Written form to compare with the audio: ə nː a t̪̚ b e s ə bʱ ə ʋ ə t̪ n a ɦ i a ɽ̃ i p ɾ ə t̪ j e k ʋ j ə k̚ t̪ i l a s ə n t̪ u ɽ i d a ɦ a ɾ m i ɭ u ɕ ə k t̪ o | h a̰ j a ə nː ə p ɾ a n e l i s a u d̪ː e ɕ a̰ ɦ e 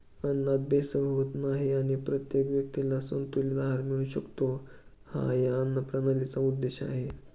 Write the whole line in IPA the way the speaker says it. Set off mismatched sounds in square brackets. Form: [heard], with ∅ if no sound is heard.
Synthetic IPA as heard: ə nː a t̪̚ b e s ə bʱ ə ʋ ə t̪ n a ɦ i a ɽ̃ i p ɾ ə t̪ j e k ʋ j ə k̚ t̪ i l a s ə n t̪ u [l] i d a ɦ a ɾ m i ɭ u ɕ ə k t̪ o | h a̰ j a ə nː ə p ɾ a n [a] l i [t͡s] a u d̪ː e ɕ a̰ ɦ e